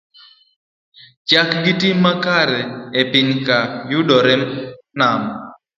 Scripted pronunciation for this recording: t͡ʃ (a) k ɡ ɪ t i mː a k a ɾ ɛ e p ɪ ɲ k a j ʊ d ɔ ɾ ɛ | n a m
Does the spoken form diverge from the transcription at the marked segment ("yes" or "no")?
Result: no